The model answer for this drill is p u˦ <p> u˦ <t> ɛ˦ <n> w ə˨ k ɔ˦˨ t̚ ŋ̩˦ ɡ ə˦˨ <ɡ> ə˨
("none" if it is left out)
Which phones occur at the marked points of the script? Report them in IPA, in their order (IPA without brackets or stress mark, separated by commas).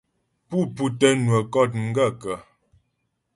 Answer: p, t, n, k